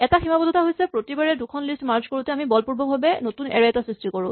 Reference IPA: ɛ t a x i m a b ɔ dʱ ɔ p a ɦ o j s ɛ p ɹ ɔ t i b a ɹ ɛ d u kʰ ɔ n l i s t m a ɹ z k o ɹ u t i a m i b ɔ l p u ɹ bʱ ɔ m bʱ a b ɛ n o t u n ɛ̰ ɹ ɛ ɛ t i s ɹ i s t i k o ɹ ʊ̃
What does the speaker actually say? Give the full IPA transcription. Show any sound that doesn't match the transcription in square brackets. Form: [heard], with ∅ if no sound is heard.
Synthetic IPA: ɛ t a x i m a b ɔ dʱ ɔ [t] a ɦ o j s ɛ p ɹ [o] t i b a ɹ ɛ d u kʰ ɔ n l i s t m a ɹ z k o ɹ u t [ɛ] a m i b ɔ l p u ɹ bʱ ɔ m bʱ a b ɛ n o t u n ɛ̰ ɹ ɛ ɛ t [a] s ɹ i s t i k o ɹ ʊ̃